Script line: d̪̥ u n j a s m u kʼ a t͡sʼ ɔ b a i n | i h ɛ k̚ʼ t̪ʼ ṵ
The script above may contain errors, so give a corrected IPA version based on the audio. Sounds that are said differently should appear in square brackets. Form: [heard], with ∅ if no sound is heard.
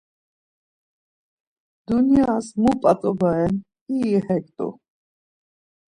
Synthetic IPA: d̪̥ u n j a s m u [pʼ] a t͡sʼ ɔ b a [ɛ] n | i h ɛ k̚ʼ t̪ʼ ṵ